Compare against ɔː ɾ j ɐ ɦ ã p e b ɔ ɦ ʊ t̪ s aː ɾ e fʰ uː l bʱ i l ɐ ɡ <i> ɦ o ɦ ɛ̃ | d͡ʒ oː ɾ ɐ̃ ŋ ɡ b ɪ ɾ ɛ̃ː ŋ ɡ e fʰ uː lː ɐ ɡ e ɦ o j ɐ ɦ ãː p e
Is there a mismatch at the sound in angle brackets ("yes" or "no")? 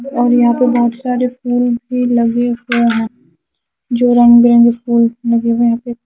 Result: yes